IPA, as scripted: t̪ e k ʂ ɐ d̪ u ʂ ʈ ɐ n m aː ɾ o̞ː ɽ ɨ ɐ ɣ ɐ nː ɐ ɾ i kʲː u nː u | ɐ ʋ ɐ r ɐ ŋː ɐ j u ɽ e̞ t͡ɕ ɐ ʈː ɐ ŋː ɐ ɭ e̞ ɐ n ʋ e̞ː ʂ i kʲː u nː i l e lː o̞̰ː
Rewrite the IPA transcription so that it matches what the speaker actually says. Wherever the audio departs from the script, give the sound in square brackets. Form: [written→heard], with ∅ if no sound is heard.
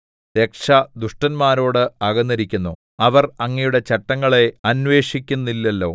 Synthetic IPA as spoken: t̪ e k ʂ ɐ d̪ u ʂ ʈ ɐ n m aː ɾ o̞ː ɽ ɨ ɐ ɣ ɐ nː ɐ ɾ i kʲː u nː u | ɐ ʋ ɐ r ɐ ŋː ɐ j u ɽ e̞ t͡ɕ ɐ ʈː ɐ ŋː ɐ ɭ e̞ ɐ n ʋ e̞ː ʂ i kʲː u nː i [l→lː] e lː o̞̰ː